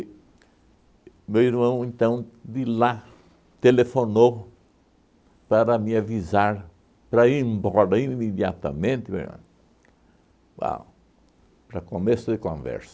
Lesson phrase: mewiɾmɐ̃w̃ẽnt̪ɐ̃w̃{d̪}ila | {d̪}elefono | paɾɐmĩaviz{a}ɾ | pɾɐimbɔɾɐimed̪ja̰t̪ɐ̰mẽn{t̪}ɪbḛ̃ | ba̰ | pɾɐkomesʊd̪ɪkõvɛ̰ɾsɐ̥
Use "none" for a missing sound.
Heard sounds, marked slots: d̪, t̪, a, t̪

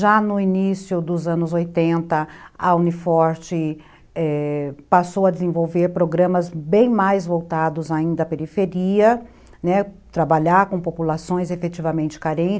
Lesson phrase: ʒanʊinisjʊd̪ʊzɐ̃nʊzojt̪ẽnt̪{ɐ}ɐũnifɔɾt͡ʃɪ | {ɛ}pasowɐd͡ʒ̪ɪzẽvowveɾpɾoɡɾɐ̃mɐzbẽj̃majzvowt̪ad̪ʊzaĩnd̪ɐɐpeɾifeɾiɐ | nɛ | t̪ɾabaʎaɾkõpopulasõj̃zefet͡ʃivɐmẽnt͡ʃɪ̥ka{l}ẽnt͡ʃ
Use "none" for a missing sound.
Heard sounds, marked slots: ɐ, ɛ, ɾ

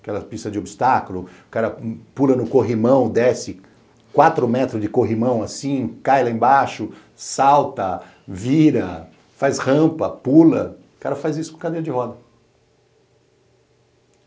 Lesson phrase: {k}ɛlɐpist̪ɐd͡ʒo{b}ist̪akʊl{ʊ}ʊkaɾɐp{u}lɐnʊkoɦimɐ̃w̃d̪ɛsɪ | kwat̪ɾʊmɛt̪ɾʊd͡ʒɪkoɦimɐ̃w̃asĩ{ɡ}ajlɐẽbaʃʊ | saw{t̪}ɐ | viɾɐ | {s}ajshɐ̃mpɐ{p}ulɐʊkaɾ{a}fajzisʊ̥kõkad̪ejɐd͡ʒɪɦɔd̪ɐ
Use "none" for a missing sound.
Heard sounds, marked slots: k, b, ʊ, u, k, t̪, f, p, ɐ

